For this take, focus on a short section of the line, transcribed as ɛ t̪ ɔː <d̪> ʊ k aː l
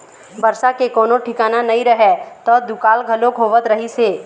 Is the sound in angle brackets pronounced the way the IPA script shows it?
yes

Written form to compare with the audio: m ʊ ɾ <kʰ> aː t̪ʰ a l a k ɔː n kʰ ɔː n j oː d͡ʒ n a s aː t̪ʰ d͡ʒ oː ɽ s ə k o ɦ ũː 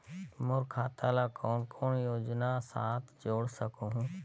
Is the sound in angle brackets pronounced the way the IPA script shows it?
yes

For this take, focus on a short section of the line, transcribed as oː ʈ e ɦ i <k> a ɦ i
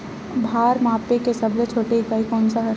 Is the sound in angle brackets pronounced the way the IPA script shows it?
yes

